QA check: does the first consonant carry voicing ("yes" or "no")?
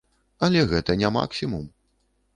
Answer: yes